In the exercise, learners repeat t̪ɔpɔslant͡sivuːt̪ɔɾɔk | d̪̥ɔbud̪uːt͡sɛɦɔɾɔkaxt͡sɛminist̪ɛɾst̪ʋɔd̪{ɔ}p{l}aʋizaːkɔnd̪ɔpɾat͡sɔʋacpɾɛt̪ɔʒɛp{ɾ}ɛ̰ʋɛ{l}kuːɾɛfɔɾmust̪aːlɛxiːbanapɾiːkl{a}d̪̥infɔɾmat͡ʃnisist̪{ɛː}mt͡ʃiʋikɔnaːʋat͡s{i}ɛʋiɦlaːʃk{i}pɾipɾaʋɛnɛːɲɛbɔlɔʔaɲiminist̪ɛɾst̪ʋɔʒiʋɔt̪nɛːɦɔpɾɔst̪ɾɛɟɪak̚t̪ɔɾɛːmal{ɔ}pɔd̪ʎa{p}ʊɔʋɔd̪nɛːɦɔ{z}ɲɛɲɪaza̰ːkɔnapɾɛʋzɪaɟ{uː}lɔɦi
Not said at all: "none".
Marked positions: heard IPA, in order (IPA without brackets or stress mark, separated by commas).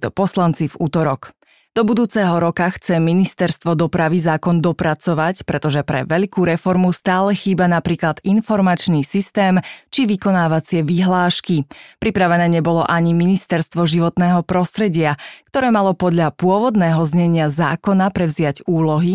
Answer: ɔ, ɾ, ɾ, ʎ, a, ɛː, ɪ, i, ɔ, p, z, uː